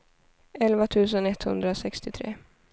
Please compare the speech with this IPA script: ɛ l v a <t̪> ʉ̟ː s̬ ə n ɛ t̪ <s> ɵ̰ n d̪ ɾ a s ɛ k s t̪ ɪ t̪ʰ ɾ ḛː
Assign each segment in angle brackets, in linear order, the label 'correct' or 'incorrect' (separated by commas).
incorrect, incorrect